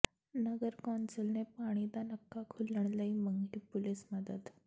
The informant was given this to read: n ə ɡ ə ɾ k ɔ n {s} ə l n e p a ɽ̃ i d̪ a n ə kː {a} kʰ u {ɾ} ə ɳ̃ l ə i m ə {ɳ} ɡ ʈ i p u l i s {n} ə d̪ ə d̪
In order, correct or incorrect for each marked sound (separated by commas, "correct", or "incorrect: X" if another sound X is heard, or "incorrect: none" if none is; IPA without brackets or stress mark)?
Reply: correct, correct, incorrect: l, incorrect: ŋ, incorrect: m